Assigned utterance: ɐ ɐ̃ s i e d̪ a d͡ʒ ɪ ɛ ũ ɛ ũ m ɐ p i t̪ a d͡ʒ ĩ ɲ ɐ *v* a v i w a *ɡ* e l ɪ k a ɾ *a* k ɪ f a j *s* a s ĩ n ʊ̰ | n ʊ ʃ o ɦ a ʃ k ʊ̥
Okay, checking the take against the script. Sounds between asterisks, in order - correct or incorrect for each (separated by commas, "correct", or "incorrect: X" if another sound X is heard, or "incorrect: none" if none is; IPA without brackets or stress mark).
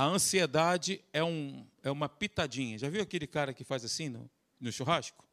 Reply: incorrect: ʒ, incorrect: k, incorrect: ɐ, incorrect: z